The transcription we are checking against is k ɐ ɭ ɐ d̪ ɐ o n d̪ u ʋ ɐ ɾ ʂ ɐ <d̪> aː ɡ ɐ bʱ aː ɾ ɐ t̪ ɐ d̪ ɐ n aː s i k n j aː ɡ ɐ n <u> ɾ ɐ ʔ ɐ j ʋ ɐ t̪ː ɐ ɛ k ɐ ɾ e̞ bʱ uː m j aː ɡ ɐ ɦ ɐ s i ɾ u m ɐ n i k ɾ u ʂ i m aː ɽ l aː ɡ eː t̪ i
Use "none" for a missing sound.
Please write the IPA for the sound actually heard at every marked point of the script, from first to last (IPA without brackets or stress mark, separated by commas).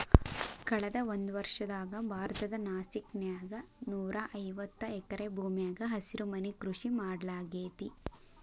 d̪, uː